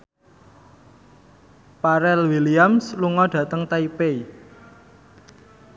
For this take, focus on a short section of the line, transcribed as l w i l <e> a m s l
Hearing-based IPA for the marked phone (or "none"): i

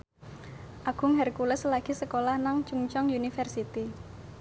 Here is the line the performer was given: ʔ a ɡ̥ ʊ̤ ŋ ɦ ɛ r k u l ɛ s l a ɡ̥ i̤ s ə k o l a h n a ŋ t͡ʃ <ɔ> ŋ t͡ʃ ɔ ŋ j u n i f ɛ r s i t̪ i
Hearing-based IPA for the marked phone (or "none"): u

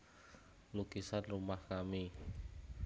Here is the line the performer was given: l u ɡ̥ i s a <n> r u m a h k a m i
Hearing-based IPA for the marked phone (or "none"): n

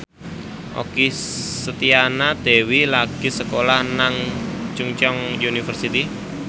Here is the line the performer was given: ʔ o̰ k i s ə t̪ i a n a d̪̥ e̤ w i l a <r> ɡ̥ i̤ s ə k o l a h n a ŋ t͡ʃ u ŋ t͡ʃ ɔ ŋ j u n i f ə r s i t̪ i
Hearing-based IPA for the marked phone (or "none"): none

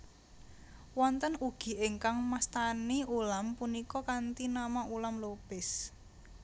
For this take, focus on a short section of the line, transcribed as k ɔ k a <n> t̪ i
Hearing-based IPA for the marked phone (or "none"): n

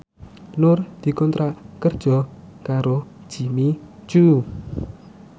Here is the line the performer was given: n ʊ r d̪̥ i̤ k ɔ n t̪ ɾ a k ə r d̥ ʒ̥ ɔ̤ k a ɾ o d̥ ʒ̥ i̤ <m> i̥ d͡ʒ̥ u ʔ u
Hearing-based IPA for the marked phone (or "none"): m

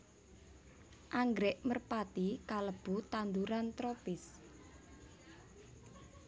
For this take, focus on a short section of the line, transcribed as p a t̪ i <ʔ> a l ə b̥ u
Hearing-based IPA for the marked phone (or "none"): k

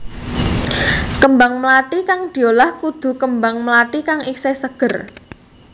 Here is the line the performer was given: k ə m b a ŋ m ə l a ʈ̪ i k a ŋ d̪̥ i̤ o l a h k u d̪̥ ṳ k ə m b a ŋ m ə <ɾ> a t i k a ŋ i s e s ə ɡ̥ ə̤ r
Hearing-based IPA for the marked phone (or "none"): l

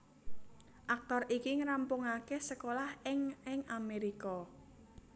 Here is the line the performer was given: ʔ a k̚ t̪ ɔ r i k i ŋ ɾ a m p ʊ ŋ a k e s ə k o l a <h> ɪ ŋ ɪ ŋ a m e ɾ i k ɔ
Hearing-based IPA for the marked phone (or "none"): h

